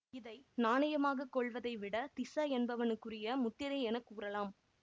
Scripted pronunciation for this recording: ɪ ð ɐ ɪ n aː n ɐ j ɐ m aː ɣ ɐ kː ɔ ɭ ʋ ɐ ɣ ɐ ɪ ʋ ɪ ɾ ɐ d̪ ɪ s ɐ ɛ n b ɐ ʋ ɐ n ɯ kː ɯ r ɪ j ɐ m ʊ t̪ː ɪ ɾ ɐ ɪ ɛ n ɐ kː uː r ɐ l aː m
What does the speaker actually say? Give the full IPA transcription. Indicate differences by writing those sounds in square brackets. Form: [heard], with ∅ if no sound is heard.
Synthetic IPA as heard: ɪ ð ɐ ɪ n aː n ɐ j ɐ m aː ɣ ɐ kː ɔ ɭ ʋ ɐ [ð] ɐ ɪ ʋ ɪ [ɽ] ɐ [t̪] ɪ s ɐ ɛ n b ɐ ʋ ɐ n ɯ kː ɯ r ɪ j ɐ m ʊ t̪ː ɪ ɾ ɐ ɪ ɛ n ɐ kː uː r ɐ l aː m